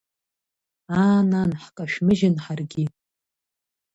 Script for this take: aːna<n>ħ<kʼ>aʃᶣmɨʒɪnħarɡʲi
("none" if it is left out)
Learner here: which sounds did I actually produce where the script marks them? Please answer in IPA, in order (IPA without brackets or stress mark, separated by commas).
n, kʼ